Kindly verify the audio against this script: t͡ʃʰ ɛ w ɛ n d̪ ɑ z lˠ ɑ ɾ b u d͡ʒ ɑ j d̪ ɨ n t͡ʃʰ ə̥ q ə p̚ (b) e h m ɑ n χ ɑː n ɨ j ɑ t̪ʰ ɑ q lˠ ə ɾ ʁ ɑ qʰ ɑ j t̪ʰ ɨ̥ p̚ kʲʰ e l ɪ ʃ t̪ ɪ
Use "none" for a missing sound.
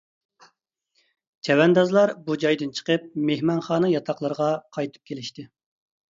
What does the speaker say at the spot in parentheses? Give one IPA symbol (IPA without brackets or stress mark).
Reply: m